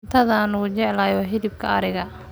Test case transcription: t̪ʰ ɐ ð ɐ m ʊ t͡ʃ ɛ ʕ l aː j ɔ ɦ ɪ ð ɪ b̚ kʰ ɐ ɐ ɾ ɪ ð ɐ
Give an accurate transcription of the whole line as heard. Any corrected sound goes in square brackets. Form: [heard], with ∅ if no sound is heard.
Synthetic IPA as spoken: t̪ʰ ɐ ð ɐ [n] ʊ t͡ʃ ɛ ʕ l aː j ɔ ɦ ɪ ð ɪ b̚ kʰ ɐ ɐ ɾ ɪ [ɣ] ɐ